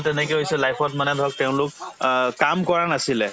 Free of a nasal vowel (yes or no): no